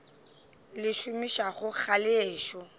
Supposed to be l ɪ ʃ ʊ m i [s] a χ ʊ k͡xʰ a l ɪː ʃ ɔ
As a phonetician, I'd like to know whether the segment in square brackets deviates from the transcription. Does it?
yes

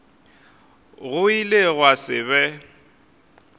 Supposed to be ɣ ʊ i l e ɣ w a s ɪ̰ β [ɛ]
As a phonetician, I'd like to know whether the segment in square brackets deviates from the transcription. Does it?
no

